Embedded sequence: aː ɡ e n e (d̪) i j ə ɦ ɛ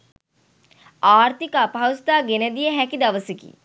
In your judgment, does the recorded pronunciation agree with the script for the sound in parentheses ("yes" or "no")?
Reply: yes